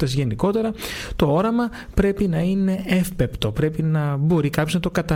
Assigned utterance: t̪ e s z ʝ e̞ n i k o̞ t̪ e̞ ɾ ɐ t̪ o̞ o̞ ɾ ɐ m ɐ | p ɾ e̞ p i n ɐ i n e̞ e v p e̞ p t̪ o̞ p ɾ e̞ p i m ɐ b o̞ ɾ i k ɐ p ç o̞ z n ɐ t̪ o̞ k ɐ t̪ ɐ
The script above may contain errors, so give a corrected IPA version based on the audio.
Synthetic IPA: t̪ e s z ʝ e̞ n i k o̞ t̪ e̞ ɾ ɐ t̪ o̞ o̞ ɾ ɐ m ɐ | p ɾ e̞ p i n ɐ i n e̞ e f p e̞ p t̪ o̞ p ɾ e̞ p i n ɐ b o̞ ɾ i k ɐ p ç o̞ z n ɐ t̪ o̞ k ɐ t̪ ɐ